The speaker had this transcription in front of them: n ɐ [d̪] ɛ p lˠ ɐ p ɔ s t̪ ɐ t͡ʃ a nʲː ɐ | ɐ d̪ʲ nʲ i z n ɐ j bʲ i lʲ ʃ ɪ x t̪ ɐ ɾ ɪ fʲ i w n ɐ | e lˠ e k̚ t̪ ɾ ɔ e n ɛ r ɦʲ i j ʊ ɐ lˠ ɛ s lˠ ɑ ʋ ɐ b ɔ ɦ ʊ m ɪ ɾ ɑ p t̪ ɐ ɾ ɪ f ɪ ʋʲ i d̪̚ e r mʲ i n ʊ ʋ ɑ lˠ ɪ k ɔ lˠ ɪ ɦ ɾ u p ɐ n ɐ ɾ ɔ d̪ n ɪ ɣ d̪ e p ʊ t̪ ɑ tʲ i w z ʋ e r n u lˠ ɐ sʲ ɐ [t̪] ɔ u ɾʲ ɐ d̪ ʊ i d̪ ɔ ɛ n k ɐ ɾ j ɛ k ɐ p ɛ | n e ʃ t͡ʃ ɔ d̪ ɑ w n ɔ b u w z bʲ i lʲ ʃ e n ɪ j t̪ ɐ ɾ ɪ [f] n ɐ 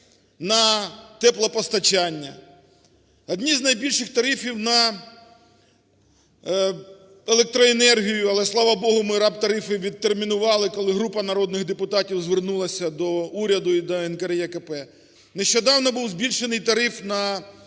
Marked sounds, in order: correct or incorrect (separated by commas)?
incorrect, incorrect, correct